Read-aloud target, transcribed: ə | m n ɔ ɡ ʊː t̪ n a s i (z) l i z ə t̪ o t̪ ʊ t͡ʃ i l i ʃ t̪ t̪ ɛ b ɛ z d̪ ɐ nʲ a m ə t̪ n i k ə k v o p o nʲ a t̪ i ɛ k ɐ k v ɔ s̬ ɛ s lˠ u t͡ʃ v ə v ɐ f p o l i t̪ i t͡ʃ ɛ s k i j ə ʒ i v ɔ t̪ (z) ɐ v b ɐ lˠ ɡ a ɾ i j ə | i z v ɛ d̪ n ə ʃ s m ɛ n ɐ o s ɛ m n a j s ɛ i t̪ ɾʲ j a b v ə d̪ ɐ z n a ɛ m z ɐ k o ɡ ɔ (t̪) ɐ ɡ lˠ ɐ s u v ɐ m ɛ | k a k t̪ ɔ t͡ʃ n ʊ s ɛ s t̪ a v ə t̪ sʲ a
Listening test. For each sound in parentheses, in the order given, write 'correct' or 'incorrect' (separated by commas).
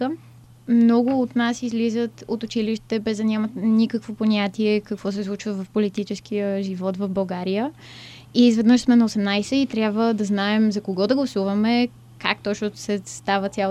correct, incorrect, incorrect